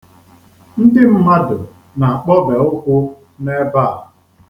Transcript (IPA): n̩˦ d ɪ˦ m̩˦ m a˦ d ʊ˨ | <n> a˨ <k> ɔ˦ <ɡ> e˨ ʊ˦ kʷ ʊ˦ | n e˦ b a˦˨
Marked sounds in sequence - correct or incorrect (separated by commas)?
correct, incorrect, incorrect